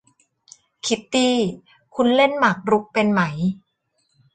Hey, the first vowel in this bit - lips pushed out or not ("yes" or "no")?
no